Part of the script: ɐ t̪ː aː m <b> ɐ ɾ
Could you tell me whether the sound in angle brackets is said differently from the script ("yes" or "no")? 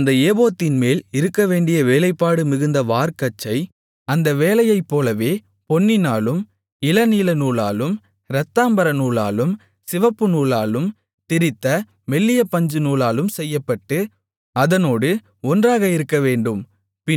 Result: no